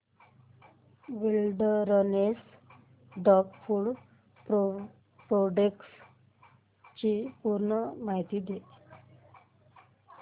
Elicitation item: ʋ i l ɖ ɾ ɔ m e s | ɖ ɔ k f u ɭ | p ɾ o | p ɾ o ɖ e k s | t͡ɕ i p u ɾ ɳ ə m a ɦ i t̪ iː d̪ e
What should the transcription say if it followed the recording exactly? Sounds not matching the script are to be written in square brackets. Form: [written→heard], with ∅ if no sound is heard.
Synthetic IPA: ʋ i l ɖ ɾ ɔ [m→n] e s | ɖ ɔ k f u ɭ | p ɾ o | p ɾ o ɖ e k s | t͡ɕ i p u ɾ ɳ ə m a ɦ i t̪ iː d̪ e

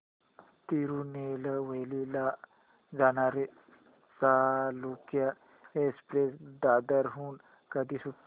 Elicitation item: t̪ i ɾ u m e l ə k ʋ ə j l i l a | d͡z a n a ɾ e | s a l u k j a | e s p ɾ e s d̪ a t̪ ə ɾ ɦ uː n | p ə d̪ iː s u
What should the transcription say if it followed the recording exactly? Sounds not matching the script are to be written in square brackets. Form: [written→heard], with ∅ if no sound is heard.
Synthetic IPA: t̪ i ɾ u [m→n] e l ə [k→∅] ʋ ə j l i l a | d͡z a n a ɾ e | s a l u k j a | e s p ɾ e s d̪ a [t̪→d̪] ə ɾ ɦ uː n | [p→k] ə d̪ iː s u

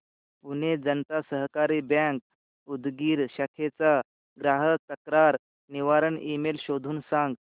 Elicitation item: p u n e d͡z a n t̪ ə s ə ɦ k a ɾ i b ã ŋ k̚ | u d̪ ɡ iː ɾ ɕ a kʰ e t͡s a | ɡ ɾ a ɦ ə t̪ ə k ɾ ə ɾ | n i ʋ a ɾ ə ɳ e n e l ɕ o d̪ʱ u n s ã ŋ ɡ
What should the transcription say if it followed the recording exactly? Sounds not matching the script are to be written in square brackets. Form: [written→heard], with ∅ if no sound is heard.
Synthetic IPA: p u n e d͡z [a→ə] n t̪ [ə→a] s ə ɦ k a ɾ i b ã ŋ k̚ | u d̪ ɡ iː ɾ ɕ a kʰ e t͡s a | ɡ ɾ a ɦ ə t̪ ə k ɾ [ə→a] ɾ | n i ʋ a ɾ ə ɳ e [n→m] e l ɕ o d̪ʱ [u→uː] n s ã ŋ ɡ

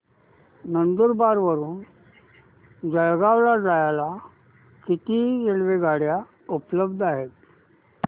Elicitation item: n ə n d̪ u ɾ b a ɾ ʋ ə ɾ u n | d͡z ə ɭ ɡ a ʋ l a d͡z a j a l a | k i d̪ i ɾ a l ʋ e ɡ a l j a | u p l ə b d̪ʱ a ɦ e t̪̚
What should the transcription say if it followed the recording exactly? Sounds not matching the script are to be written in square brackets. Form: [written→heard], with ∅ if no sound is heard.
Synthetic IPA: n ə n d̪ u ɾ b a ɾ ʋ ə ɾ [u→uː] n | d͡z ə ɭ ɡ a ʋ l a d͡z a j a l a | k i [d̪→t̪] i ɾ [a→e] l ʋ e ɡ a [l→ɽ] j a | u p l ə b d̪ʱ a ɦ e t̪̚

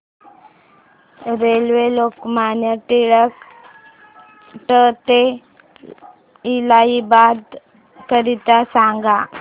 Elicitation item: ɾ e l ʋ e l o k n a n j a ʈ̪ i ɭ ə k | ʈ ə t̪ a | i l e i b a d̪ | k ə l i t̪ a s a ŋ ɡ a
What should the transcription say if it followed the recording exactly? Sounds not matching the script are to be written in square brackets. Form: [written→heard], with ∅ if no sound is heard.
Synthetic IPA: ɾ e l ʋ e l o k [n→m] a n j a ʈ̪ i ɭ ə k | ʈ ə t̪ [a→e] | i l [e→a] i b a d̪ | k ə [l→ɾ] i t̪ a s a ŋ ɡ a

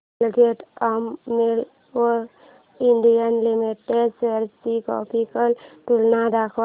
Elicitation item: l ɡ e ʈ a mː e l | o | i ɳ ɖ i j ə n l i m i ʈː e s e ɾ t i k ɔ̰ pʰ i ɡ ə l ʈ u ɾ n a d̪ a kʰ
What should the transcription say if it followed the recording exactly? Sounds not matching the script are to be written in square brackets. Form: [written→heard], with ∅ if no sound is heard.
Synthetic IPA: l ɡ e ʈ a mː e l | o | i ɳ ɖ i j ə n l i m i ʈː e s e ɾ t i k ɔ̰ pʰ i [ɡ→k] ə l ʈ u [ɾ→l] n a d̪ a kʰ

